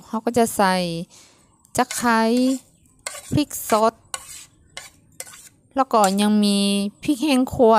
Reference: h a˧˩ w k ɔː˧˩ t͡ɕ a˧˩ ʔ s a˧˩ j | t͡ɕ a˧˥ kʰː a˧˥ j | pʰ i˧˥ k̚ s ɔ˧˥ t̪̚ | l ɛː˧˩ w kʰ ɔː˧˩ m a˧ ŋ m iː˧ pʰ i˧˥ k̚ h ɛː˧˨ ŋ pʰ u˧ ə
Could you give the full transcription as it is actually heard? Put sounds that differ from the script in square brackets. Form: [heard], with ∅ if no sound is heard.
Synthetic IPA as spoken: h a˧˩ w k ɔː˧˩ t͡ɕ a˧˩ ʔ s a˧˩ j | t͡ɕ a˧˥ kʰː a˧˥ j | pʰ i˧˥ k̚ s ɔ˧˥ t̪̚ | l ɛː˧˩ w [k] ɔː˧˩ [ɲ] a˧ ŋ m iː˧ pʰ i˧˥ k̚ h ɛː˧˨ ŋ [kʰ] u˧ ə